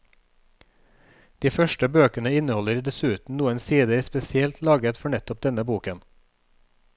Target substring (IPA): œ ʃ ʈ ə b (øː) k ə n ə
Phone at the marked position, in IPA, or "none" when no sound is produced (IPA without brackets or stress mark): øː